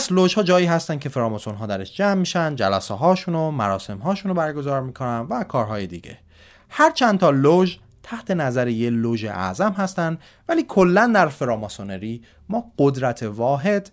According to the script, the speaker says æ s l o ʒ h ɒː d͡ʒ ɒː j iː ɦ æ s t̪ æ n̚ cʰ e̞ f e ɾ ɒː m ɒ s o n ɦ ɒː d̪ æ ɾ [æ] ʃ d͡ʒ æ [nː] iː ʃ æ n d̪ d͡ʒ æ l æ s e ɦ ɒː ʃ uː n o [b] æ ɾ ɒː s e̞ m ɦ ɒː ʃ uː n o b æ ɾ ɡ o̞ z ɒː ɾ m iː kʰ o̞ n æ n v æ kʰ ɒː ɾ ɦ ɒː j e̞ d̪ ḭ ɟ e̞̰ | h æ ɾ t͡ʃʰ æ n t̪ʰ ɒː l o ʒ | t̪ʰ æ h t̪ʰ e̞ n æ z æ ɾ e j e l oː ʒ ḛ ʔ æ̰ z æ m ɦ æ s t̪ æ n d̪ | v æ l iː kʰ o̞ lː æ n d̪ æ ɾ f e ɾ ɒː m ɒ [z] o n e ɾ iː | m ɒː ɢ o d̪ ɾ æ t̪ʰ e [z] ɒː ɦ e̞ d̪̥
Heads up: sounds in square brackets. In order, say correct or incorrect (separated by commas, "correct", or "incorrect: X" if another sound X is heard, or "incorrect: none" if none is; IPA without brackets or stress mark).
incorrect: e, incorrect: mː, incorrect: m, incorrect: s, incorrect: v